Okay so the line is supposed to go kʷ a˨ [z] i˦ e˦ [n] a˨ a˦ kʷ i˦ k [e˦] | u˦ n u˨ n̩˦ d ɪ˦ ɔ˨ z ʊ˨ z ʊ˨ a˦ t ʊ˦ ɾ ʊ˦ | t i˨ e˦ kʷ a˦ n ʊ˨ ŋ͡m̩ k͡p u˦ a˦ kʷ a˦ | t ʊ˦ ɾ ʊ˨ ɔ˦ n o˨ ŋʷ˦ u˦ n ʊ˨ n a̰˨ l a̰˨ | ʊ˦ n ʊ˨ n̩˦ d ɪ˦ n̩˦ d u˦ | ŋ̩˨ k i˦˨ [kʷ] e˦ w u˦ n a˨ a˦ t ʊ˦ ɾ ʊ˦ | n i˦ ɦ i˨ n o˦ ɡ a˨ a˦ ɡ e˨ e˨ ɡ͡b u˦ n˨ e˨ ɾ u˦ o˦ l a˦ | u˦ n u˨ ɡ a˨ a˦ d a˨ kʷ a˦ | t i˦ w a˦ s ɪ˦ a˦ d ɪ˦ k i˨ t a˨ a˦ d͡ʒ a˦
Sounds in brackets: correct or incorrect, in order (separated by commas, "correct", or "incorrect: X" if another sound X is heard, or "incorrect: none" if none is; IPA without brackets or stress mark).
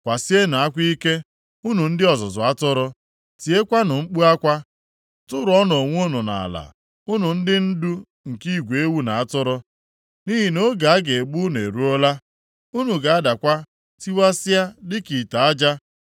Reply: incorrect: s, correct, correct, incorrect: ɡʷ